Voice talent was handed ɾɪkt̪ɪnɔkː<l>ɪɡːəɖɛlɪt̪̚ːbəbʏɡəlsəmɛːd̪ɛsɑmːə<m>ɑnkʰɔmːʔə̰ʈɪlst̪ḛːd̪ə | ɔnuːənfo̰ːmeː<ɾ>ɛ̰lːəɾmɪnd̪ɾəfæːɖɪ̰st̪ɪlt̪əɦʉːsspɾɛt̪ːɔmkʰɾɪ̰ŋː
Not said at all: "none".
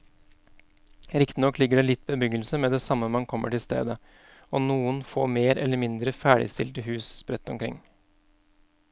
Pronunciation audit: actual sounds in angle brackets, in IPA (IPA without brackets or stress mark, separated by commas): l, m, ɾ